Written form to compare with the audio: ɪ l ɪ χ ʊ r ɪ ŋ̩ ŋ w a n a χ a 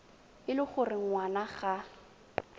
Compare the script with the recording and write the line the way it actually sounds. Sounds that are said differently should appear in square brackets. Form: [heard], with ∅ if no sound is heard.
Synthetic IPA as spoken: ɪ l ɪ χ ʊ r ɪ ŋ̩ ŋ w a n a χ a